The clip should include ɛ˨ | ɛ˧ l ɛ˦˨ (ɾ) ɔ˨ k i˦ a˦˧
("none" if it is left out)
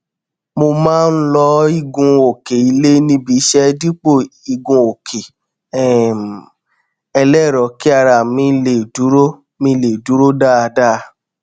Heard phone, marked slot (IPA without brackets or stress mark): ɾ